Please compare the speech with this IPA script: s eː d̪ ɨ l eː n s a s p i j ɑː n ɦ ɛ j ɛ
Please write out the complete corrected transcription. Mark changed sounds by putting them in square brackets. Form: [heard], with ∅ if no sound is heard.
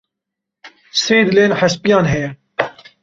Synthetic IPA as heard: s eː d̪ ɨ l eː n [ħ] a s p i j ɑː n ɦ ɛ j ɛ

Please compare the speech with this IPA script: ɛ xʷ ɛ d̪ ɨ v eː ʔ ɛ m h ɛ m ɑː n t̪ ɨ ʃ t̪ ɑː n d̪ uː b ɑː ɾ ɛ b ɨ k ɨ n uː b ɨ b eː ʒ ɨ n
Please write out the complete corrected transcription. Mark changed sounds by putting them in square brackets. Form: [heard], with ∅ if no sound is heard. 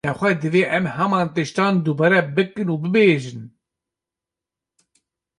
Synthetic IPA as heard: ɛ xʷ ɛ d̪ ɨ v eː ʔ ɛ m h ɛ m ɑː n t̪ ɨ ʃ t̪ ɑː n d̪ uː b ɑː ɾ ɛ b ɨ k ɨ n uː b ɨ b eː ʒ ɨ n

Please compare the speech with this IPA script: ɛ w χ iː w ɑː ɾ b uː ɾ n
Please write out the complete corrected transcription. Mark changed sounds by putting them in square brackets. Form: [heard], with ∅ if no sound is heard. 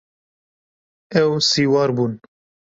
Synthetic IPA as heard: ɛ w [s] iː w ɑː ɾ b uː [∅] n

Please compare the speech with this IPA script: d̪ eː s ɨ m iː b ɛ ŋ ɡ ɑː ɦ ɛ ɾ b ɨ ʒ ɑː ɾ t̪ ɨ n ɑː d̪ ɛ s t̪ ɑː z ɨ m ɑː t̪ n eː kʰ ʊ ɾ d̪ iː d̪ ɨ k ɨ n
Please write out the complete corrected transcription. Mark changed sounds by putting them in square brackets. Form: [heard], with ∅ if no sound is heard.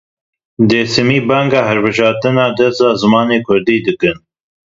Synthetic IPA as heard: d̪ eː s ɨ m iː b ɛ ŋ ɡ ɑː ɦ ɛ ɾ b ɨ ʒ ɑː ɾ t̪ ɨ n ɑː d̪ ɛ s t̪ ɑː z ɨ m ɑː [∅] n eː kʰ ʊ ɾ d̪ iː d̪ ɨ k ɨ n

